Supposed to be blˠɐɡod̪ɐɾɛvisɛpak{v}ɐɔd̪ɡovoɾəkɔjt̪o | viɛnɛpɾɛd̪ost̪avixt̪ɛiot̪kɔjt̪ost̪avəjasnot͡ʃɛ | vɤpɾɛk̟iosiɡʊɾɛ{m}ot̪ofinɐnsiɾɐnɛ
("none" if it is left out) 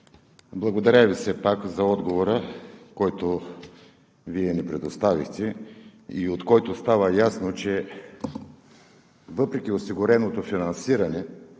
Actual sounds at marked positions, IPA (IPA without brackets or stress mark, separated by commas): z, n